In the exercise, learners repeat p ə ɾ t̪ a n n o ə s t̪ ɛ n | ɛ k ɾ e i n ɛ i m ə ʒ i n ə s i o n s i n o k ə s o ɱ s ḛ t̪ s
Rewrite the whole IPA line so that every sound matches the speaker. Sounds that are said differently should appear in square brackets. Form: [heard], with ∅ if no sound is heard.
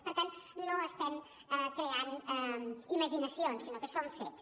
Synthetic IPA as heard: p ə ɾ t̪ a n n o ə s t̪ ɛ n | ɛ k ɾ e [a] n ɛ i m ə ʒ i n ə s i o n s i n o k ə s o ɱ [f] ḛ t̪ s